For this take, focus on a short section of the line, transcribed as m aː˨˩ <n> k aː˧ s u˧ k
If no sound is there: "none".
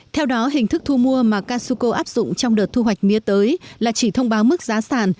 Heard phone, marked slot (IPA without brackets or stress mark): none